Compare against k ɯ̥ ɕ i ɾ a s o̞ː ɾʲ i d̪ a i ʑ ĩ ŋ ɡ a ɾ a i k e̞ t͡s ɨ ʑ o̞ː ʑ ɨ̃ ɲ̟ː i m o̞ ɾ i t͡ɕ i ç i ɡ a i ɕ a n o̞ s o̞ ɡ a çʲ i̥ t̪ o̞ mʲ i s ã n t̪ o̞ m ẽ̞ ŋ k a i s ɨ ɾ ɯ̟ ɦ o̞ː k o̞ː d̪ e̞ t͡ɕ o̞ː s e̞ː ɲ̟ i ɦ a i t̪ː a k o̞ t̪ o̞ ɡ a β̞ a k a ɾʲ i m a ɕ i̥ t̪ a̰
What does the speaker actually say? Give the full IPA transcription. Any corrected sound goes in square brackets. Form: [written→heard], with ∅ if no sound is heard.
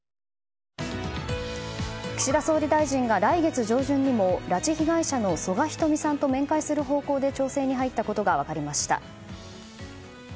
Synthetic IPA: k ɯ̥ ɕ i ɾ a s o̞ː ɾʲ i d̪ a i ʑ ĩ ŋ ɡ a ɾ a i [k→ɡ] e̞ t͡s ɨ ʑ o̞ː ʑ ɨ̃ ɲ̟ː i m o̞ ɾ [i→a] t͡ɕ i ç i ɡ a i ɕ a n o̞ s o̞ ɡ a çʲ i̥ t̪ o̞ mʲ i s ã n t̪ o̞ m ẽ̞ ŋ k a i s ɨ ɾ ɯ̟ ɦ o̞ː k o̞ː d̪ e̞ t͡ɕ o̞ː s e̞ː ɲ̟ i ɦ a i t̪ː a k o̞ t̪ o̞ ɡ a β̞ a k a ɾʲ i m a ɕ i̥ t̪ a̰